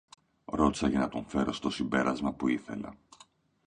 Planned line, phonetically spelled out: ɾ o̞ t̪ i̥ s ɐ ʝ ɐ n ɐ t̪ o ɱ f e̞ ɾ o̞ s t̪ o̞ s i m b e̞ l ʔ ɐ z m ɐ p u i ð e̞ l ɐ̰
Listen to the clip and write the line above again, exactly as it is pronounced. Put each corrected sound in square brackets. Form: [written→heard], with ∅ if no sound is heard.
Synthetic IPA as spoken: ɾ o̞ t̪ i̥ s ɐ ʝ ɐ n ɐ t̪ o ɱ f e̞ ɾ o̞ s t̪ o̞ s i m b e̞ [l→ɾ] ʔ ɐ z m ɐ p u i [ð→θ] e̞ l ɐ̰